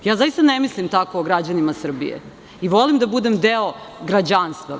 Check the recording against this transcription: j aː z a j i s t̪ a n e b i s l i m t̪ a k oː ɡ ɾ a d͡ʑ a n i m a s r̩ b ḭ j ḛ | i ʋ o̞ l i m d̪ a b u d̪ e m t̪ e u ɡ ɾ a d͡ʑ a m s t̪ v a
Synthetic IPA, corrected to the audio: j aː z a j i s t̪ a n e m i s l i m t̪ a k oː ɡ ɾ a d͡ʑ a n i m a s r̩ b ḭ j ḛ | i ʋ o̞ l i m d̪ a b u d̪ e m d̪ e o ɡ ɾ a d͡ʑ a n s t̪ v a